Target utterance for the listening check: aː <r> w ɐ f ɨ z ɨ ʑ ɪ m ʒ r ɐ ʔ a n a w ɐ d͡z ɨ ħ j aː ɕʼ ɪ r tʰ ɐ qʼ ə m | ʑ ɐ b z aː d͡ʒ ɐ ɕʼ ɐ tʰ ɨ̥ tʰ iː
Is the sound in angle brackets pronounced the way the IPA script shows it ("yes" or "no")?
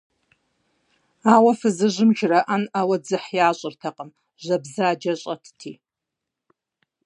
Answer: no